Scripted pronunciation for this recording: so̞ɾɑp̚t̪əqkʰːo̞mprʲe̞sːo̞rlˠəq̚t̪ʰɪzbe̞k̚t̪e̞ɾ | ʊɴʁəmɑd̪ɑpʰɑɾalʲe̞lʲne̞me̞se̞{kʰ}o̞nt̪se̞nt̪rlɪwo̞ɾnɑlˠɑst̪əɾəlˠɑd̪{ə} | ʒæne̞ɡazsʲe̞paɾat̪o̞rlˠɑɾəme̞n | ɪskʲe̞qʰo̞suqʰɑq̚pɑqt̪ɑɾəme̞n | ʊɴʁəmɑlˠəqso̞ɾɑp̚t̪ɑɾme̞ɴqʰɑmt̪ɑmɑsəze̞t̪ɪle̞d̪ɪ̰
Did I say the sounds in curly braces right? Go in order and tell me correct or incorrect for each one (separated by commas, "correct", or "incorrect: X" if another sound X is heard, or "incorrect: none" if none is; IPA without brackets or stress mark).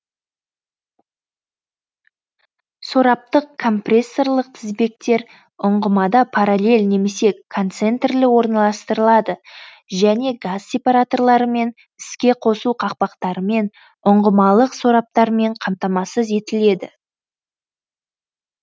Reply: correct, correct